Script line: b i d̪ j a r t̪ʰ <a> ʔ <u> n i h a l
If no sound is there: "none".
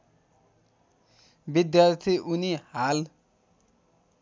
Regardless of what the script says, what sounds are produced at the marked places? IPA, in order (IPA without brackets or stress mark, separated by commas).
i, u